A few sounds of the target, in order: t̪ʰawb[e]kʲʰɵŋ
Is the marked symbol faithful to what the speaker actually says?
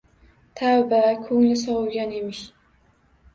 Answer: no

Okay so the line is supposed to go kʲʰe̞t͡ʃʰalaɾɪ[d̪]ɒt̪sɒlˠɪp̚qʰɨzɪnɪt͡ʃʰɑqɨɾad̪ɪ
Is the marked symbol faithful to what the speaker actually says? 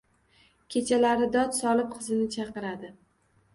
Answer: yes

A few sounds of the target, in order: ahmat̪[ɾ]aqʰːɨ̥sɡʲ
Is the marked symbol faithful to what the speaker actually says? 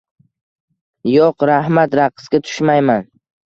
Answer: yes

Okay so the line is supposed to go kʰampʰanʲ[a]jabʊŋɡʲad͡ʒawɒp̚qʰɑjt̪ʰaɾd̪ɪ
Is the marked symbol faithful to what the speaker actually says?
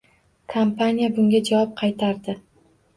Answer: no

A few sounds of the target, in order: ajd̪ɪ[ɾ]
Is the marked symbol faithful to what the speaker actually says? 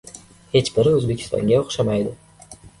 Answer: no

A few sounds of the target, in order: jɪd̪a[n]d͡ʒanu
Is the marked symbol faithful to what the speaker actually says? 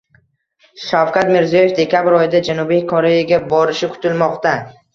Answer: no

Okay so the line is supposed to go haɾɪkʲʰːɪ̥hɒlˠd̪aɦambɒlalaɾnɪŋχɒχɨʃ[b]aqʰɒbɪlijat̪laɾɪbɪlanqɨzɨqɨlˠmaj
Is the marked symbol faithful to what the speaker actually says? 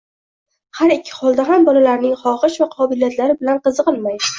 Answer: no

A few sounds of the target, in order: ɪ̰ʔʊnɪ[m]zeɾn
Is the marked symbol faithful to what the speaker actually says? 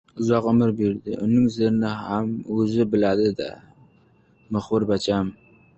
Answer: no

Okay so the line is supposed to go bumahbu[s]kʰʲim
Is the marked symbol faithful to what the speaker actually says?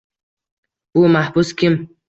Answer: yes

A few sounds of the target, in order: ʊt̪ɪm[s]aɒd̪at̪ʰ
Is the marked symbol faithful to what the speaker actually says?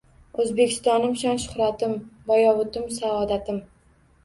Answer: yes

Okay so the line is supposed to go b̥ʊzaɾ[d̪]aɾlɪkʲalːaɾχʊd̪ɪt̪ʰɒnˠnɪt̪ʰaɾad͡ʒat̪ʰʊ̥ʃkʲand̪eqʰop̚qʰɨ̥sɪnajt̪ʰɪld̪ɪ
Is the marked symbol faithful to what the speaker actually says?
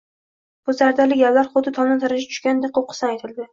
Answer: yes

